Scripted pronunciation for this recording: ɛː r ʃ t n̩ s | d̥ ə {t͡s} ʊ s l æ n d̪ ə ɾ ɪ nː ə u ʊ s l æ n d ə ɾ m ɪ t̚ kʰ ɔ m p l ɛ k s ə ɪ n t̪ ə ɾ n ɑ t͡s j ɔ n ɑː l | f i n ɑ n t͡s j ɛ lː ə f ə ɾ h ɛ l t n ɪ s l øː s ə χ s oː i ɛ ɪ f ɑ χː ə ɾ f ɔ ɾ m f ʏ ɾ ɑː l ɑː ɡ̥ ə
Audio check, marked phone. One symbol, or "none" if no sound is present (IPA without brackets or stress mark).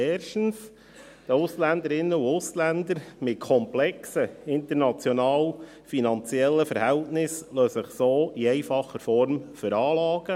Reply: none